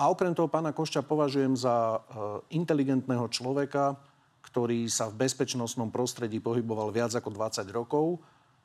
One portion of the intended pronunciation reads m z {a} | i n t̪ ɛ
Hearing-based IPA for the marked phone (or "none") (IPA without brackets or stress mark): a